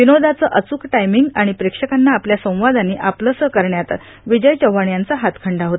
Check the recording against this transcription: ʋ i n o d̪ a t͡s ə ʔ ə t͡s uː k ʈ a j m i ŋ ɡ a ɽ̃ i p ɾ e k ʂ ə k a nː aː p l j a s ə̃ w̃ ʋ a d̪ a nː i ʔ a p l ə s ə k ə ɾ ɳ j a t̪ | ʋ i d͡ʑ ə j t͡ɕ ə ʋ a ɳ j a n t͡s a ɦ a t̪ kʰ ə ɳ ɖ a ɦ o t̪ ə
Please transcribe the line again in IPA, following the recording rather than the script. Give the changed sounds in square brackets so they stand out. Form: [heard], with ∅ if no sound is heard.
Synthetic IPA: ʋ i n o d̪ a t͡s ə ʔ ə t͡s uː k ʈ a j m i ŋ ɡ a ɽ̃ i p ɾ e k ʂ ə k a nː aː p l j a s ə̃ w̃ ʋ a d̪ a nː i ʔ a p l ə s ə k ə ɾ ɳ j a t̪ | ʋ i d͡ʑ ə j t͡ɕ ə ʋ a ɳ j a n t͡s a ɦ a t̪ kʰ ə ɳ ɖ a ɦ o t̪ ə